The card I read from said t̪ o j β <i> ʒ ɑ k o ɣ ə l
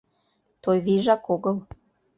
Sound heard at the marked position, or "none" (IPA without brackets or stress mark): i